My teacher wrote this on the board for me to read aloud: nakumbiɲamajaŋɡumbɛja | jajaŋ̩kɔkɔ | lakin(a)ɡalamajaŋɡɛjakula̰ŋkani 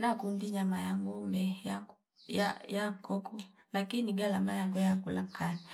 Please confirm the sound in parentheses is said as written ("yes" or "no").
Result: no